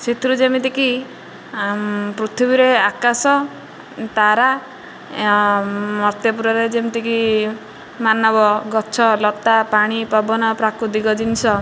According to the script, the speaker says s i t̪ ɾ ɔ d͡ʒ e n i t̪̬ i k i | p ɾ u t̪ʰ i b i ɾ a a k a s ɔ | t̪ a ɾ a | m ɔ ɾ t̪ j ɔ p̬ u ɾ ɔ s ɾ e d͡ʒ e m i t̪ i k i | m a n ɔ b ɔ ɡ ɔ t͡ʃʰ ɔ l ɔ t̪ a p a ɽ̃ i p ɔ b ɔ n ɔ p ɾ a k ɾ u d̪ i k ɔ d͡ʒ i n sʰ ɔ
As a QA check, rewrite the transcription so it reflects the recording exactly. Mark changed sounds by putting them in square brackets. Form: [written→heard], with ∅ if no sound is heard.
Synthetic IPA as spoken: s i t̪ ɾ [ɔ→u] d͡ʒ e [n→m] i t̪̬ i k i | p ɾ u t̪ʰ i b i ɾ [a→e] a k a s ɔ | t̪ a ɾ a | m ɔ ɾ t̪ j ɔ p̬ u ɾ ɔ [s→∅] ɾ e d͡ʒ e m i t̪ i k i | m a n ɔ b ɔ ɡ ɔ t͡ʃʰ ɔ l ɔ t̪ a p a ɽ̃ i p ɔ b ɔ n ɔ p ɾ a k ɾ u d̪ i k ɔ d͡ʒ i n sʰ ɔ